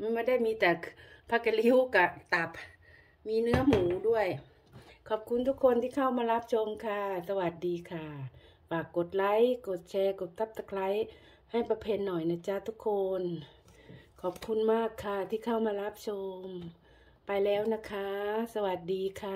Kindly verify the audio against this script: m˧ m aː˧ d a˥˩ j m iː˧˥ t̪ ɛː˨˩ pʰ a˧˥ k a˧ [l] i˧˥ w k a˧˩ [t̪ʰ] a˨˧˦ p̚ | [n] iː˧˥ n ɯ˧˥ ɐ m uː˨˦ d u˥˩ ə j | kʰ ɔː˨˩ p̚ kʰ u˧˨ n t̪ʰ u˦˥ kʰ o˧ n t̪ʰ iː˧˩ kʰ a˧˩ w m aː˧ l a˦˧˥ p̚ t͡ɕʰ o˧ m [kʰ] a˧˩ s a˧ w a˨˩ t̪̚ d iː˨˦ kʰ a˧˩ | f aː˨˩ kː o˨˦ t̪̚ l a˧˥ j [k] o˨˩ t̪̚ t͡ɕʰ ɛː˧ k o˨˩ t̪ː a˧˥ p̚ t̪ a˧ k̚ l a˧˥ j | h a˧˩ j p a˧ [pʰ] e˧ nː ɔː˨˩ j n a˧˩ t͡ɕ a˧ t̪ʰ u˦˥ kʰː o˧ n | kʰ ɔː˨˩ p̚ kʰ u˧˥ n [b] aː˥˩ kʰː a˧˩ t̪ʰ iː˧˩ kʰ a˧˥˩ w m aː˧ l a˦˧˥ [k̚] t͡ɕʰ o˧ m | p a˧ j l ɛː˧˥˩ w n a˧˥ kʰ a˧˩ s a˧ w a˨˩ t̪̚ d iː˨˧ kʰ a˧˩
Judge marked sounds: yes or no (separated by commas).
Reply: yes, no, no, yes, yes, yes, no, no